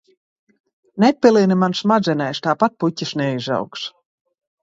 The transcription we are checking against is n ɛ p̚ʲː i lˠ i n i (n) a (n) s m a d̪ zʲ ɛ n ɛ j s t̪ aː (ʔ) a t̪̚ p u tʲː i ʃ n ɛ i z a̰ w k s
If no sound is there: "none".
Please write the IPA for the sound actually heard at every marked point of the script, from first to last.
m, n, p

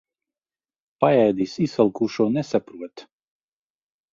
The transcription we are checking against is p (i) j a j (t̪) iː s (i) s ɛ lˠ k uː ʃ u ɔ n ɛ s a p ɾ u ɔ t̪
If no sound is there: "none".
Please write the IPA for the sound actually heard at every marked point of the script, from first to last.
a, d̪, i

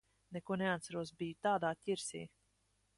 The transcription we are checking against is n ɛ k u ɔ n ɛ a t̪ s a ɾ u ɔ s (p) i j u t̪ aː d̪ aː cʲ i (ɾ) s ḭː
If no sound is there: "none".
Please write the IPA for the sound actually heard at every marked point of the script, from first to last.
b, ɾ

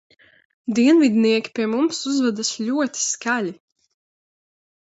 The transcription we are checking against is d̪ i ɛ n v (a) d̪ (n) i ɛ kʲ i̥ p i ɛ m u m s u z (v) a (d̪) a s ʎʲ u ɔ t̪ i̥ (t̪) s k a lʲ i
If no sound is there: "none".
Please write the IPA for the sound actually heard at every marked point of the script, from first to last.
i, n, v, d̪, none

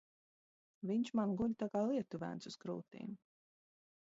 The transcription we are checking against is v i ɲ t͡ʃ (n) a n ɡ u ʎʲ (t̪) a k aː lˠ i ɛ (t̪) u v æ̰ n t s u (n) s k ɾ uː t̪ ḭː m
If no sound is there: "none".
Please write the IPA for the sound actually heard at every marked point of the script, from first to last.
m, t̪, t̪, none

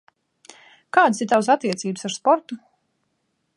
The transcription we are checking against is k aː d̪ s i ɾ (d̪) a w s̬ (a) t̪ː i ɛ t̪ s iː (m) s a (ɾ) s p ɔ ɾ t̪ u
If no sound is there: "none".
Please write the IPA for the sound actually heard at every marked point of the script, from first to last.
t̪, a, b, ɾ

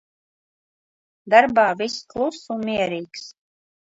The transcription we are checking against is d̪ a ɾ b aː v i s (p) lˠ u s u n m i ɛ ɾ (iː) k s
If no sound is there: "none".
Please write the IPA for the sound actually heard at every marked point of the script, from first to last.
k, iː

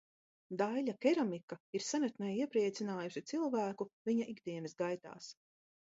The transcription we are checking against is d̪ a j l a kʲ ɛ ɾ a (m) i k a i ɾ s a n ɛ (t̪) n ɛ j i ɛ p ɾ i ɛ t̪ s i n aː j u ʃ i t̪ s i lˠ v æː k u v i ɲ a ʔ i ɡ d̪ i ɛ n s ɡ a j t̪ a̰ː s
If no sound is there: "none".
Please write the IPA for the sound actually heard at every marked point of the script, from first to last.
m, t̪

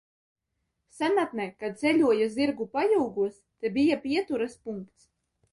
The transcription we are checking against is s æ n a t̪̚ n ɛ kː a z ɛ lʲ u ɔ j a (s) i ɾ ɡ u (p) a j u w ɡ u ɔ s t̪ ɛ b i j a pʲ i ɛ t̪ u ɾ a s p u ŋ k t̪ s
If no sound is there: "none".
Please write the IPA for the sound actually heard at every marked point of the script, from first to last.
z, p

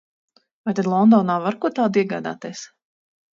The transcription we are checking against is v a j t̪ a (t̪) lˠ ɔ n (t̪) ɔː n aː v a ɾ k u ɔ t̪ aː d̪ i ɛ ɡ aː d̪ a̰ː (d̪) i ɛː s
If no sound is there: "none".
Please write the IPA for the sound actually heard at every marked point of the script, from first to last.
d̪, d̪, t̪

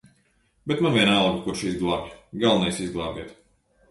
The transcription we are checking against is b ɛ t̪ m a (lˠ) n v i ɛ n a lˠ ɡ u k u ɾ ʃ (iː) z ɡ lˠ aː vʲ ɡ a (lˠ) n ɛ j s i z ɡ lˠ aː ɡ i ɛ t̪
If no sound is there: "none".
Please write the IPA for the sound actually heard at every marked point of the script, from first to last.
none, i, lˠ

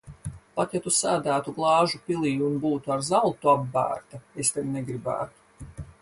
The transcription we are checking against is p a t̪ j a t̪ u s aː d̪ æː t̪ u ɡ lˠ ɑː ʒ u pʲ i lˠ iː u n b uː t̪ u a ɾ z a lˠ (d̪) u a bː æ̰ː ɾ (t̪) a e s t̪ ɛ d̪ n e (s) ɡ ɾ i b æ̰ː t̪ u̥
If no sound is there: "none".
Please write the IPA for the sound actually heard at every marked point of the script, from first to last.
t̪, t̪, none

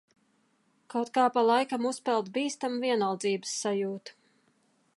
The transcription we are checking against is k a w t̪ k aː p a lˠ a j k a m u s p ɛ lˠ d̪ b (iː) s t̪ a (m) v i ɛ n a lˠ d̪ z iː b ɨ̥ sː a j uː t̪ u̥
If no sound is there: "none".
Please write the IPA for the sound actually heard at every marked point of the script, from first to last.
iː, m

